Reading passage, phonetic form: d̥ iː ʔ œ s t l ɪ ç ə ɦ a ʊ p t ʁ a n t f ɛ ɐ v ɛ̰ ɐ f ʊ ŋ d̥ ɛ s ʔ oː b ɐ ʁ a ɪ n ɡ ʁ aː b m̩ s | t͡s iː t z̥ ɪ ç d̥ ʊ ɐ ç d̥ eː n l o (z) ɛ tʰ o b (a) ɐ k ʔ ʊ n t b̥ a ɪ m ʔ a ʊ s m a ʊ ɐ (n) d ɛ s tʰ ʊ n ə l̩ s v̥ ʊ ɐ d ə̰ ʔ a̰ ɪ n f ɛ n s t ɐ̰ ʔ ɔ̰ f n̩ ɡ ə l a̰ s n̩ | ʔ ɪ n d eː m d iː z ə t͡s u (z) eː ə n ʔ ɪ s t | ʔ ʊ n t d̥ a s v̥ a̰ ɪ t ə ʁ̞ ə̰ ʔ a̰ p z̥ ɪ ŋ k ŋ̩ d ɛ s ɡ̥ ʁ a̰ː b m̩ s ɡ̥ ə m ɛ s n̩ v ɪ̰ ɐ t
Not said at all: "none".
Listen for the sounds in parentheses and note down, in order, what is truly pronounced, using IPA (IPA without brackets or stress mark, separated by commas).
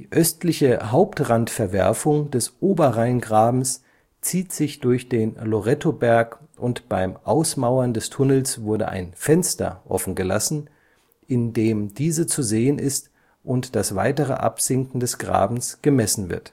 ʁ, ɛ, n, z